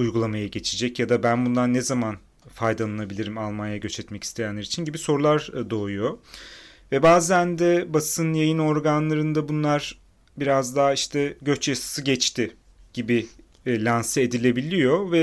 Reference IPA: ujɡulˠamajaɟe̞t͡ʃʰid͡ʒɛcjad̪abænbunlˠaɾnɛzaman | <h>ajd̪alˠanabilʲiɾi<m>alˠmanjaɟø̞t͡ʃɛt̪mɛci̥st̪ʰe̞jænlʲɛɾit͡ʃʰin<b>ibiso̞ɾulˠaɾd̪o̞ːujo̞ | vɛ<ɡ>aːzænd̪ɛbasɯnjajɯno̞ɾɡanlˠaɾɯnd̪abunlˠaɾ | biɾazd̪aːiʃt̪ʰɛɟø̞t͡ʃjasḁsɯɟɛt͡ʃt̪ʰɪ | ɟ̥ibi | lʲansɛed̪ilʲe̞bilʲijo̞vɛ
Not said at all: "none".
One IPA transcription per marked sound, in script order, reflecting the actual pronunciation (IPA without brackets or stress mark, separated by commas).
f, m, ɟ, b